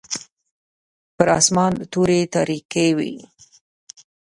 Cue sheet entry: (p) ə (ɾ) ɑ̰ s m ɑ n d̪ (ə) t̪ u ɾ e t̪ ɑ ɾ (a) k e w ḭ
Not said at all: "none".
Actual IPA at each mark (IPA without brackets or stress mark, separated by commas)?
p, ɾ, ə, i